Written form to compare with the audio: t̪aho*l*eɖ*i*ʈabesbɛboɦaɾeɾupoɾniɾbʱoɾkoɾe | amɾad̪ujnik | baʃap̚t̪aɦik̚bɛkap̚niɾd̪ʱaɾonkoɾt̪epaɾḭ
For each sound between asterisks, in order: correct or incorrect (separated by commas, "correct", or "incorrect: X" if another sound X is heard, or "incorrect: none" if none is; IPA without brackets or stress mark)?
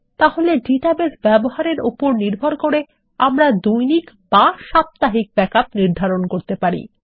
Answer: correct, correct